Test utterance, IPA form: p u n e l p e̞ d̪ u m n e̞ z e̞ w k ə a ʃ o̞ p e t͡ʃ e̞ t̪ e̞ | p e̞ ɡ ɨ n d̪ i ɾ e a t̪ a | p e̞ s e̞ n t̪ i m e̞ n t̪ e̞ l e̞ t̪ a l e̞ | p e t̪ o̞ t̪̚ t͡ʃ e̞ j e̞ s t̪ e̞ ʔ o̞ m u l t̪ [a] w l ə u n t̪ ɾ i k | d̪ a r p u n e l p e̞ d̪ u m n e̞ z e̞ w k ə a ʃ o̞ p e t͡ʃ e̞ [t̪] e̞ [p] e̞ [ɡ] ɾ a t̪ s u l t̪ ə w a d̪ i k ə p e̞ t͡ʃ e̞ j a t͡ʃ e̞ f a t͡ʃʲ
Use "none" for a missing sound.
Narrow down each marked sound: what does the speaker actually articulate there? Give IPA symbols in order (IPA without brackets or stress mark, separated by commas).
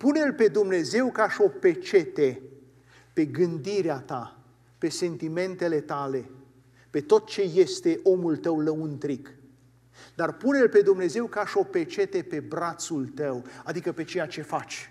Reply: ə, t̪, p, b